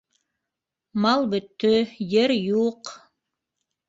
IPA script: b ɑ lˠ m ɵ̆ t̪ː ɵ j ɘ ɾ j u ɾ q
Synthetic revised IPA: m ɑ lˠ b ɵ̆ t̪ː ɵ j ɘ ɾ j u q